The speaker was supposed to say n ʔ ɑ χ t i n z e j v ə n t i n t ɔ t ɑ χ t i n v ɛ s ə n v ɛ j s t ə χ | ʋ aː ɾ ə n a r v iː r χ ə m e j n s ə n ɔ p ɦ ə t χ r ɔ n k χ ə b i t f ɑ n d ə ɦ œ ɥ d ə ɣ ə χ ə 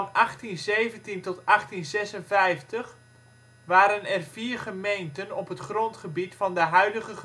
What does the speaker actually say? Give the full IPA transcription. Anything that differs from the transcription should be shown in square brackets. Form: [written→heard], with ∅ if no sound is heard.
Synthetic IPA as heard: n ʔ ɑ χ t i n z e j v ə n t i n t ɔ t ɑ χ t i n [v→z] ɛ s ə n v ɛ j [s→f] t ə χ | ʋ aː ɾ ə n [a→ɛ] r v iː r χ ə m e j n [s→t] ə n ɔ p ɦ ə t χ r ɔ n [k→t] χ ə b i t f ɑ n d ə ɦ œ ɥ d ə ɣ ə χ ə